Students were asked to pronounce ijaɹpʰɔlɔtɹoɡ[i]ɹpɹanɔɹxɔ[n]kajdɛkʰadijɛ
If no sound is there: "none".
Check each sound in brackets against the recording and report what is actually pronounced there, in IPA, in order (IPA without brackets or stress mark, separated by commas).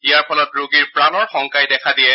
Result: i, ŋ